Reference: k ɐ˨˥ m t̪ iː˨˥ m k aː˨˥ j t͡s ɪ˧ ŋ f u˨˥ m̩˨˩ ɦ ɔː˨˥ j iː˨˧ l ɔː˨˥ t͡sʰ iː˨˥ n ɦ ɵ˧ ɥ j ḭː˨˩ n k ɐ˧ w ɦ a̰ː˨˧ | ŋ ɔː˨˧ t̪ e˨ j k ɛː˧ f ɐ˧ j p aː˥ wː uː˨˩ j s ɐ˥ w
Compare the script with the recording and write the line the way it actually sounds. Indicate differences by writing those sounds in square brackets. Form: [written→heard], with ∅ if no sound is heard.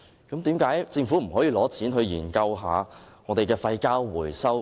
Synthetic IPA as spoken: k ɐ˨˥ m t̪ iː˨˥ m k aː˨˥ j t͡s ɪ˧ ŋ f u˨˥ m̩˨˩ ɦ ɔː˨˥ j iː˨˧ l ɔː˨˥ t͡sʰ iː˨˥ n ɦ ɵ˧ ɥ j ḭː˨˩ n k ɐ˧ w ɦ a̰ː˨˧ | ŋ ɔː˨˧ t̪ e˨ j k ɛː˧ f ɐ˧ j [p→k] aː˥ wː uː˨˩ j s ɐ˥ w